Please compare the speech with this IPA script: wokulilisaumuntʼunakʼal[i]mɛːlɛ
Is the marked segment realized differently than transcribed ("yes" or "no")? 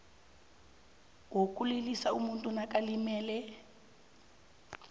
no